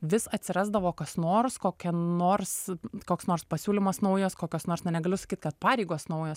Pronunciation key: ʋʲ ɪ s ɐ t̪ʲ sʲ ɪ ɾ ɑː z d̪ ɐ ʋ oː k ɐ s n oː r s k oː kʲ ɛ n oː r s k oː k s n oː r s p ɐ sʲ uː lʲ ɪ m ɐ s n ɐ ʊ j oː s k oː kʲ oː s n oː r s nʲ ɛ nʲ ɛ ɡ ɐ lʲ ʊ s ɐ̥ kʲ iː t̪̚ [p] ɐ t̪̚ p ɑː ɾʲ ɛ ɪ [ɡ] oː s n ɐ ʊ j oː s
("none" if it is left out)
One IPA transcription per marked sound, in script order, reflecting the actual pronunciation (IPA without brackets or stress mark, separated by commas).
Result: k, ɡ